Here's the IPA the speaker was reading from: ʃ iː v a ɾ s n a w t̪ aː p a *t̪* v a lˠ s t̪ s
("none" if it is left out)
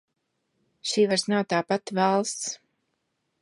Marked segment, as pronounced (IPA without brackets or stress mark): t̪